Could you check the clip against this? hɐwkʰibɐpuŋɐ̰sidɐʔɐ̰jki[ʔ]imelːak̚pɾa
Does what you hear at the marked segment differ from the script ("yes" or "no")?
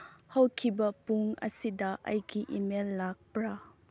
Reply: no